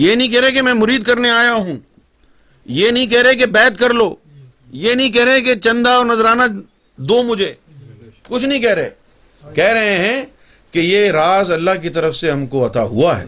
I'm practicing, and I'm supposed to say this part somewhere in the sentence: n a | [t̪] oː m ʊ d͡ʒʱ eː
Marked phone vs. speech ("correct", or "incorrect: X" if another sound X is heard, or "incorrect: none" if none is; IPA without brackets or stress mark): incorrect: d̪